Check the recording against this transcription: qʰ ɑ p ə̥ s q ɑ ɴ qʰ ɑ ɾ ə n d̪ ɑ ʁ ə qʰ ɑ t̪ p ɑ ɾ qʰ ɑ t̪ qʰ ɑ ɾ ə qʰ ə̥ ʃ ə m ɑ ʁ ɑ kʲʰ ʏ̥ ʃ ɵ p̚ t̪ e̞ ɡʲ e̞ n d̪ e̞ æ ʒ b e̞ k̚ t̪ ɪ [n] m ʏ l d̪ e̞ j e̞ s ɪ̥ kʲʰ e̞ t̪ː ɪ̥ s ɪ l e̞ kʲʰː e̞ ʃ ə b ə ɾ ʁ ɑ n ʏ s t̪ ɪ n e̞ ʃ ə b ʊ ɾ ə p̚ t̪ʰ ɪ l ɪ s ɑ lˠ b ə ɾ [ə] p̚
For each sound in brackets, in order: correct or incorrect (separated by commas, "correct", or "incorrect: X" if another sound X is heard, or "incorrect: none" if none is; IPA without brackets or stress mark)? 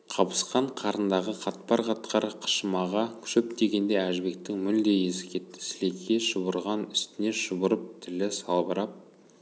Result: incorrect: ŋ, incorrect: ɑ